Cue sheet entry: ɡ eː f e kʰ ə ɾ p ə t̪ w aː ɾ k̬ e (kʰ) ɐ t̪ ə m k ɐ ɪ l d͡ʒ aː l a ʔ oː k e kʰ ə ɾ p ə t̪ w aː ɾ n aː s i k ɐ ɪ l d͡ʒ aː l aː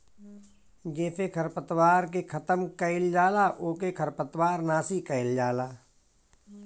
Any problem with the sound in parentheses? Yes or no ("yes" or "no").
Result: no